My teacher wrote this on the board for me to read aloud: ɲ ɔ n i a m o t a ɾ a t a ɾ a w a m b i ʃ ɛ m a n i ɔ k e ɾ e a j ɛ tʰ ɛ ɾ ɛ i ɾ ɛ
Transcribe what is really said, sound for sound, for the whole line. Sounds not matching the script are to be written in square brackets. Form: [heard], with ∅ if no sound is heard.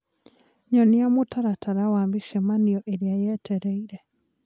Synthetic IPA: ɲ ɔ n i a m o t a ɾ a t a ɾ a w a m b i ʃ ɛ m a n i ɔ [ʔ] e ɾ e a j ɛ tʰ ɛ ɾ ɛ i ɾ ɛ